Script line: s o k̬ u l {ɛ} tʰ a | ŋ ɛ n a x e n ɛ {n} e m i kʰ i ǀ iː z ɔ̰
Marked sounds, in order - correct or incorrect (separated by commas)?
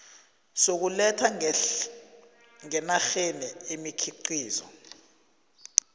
correct, incorrect